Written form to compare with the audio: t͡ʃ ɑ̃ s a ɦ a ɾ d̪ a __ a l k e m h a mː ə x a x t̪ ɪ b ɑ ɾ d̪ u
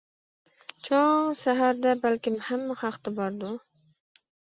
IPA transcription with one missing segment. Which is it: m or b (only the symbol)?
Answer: b